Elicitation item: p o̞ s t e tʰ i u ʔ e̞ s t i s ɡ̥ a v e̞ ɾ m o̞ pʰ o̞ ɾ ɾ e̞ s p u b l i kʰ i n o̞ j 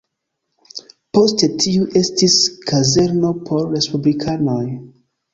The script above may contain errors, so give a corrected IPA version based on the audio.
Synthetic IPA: p o̞ s t e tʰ i u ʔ e̞ s t i s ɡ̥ a z e̞ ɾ n o̞ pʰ o̞ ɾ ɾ e̞ s p u b l i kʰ a n o̞ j